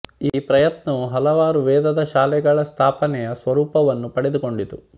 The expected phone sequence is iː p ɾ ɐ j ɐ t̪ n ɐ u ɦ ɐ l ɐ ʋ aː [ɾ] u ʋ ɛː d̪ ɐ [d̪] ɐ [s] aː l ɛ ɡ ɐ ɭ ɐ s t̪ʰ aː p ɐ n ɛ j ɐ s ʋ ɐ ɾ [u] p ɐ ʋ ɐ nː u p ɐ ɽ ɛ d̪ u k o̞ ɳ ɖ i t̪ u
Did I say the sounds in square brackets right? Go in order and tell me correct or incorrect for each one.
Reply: correct, correct, incorrect: ʃ, incorrect: uː

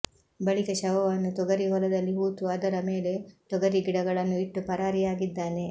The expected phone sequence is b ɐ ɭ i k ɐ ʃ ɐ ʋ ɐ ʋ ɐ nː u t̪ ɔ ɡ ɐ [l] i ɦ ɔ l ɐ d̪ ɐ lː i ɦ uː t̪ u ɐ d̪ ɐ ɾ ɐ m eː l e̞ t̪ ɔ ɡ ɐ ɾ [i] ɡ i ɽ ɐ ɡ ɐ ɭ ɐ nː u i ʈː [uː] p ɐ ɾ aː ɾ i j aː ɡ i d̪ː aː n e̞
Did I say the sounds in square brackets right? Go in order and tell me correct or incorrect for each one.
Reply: incorrect: ɾ, correct, incorrect: u

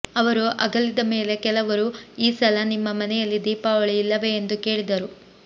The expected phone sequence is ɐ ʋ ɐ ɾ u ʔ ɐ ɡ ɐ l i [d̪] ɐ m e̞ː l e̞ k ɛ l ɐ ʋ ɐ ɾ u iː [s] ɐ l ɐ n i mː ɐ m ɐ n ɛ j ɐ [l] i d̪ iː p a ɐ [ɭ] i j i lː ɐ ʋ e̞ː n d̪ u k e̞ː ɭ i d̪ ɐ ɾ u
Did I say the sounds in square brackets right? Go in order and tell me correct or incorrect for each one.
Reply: correct, correct, incorrect: lː, correct

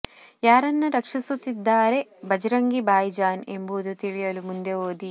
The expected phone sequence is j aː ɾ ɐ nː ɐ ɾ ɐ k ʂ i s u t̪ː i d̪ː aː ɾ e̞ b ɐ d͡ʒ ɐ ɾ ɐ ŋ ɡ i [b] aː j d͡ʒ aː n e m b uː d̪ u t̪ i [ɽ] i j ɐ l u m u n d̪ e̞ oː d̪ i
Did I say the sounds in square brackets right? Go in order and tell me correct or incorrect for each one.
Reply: correct, incorrect: ɭ

